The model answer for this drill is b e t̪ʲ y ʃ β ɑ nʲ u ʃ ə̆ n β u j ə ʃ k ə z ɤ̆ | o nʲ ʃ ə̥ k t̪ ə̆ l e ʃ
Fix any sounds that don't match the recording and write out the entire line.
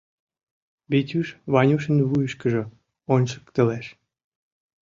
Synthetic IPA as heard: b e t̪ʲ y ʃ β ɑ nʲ u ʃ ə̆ n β u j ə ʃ k ə ʒ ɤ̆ | o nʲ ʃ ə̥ k t̪ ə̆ l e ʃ